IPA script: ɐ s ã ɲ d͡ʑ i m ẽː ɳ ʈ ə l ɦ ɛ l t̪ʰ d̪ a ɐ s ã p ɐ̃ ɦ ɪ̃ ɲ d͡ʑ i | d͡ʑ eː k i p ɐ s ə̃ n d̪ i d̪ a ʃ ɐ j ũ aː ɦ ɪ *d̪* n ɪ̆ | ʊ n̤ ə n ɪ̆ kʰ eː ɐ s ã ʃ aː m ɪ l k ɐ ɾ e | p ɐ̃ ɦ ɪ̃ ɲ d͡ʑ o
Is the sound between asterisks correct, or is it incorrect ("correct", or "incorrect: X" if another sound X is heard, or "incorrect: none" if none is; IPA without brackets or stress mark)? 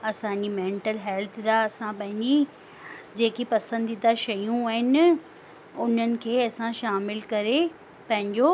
incorrect: none